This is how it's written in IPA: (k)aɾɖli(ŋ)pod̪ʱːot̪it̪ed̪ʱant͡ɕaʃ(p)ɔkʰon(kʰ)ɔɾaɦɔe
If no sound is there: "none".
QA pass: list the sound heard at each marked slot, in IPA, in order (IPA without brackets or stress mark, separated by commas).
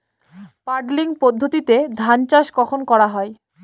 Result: p, ŋ, k, k